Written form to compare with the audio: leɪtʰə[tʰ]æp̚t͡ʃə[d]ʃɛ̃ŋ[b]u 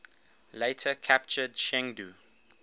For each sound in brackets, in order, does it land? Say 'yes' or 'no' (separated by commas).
no, yes, no